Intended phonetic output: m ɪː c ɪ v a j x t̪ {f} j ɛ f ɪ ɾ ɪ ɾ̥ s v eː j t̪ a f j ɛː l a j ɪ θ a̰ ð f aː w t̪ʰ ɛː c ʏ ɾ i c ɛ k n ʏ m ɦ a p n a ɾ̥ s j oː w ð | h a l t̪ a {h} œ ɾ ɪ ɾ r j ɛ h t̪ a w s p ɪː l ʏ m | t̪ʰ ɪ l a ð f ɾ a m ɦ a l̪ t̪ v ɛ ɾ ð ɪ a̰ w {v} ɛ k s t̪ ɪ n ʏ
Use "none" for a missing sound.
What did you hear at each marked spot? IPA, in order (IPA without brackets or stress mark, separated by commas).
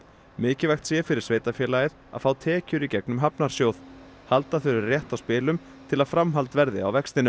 s, θ, v